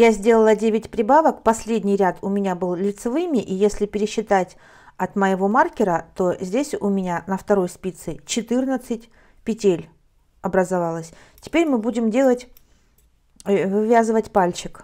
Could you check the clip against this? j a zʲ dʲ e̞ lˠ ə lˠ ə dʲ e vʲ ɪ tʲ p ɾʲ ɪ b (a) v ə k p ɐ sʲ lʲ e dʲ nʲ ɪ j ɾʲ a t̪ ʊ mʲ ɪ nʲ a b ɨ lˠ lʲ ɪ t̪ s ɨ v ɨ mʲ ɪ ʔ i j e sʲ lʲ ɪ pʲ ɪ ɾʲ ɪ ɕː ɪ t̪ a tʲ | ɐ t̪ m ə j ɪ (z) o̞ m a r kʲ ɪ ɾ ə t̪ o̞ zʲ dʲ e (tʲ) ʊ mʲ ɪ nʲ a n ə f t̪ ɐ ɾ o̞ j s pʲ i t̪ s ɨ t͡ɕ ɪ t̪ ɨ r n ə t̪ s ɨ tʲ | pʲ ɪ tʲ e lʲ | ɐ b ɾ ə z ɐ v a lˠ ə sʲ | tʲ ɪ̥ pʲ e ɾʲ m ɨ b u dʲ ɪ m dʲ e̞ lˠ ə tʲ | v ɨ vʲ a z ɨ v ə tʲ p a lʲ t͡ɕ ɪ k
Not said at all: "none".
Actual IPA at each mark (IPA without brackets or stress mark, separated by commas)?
a, v, sʲ